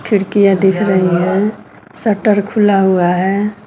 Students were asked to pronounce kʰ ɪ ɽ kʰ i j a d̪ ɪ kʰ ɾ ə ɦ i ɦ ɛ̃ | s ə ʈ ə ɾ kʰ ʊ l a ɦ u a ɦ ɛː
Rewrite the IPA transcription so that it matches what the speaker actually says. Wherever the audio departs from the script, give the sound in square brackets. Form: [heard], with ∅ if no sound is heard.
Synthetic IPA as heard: kʰ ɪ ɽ [k] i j a d̪ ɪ kʰ ɾ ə ɦ i ɦ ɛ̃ | s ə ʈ ə ɾ kʰ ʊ l a ɦ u a ɦ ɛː